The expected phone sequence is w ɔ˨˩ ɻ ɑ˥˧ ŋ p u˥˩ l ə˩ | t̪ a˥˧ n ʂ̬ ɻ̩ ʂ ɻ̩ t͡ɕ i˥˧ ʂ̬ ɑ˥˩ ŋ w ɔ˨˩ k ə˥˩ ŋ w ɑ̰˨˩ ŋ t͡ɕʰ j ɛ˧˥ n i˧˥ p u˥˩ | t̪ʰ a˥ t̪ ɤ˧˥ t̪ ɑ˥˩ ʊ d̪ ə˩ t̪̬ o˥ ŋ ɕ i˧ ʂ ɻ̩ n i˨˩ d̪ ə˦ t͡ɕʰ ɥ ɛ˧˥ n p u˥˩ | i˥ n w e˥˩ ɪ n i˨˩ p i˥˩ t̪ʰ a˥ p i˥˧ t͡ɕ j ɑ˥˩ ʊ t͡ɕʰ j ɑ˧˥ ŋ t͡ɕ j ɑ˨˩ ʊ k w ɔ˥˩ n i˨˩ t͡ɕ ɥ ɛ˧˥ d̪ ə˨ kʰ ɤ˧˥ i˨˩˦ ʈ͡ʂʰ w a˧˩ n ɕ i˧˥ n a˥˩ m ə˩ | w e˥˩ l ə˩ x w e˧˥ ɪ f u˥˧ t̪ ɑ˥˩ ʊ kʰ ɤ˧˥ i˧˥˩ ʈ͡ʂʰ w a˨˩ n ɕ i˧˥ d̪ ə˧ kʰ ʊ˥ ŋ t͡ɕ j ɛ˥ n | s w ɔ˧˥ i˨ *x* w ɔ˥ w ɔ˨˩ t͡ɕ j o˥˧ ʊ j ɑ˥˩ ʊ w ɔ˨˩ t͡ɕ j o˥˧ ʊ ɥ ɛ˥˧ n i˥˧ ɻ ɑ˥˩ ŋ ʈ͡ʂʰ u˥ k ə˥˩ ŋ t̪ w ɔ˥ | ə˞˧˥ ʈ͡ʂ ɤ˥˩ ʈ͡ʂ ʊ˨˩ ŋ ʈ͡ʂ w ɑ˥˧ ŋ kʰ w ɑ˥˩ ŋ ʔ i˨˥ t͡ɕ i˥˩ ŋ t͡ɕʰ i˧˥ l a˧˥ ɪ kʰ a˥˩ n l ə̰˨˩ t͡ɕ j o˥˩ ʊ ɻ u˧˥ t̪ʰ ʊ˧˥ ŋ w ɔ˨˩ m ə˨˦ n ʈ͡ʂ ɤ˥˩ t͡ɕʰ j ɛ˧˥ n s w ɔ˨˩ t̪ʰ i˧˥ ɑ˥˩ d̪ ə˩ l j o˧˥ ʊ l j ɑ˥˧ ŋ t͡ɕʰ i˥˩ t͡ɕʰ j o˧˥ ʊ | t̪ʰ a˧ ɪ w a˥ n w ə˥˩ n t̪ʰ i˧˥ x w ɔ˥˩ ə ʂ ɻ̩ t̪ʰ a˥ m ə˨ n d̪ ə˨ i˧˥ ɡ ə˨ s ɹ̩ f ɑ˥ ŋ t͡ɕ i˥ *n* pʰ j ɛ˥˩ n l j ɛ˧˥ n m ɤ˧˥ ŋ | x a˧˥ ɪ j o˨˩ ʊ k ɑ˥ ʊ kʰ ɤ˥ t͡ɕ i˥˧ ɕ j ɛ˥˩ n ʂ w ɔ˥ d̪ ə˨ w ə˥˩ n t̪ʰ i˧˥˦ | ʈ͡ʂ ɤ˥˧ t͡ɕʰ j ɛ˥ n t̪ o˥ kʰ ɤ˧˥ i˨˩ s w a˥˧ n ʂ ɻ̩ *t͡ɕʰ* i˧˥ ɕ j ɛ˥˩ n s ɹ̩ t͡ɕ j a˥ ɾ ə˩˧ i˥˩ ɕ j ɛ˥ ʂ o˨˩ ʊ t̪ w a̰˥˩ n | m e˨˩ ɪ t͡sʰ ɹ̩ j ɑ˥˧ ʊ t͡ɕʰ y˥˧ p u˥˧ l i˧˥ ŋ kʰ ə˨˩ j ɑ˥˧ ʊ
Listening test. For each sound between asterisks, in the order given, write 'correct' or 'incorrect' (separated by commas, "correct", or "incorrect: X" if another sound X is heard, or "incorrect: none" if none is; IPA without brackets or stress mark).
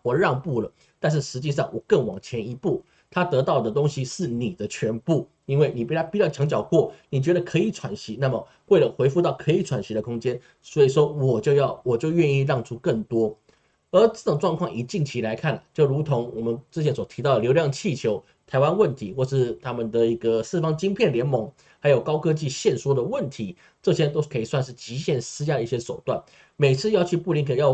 incorrect: ʂ, incorrect: ŋ, incorrect: t͡ɕ